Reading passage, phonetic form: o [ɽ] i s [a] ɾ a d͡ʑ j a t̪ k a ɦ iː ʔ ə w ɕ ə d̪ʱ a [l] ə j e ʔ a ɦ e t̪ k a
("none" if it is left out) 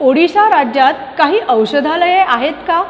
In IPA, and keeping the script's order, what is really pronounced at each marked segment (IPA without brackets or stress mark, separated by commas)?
ɽ, a, l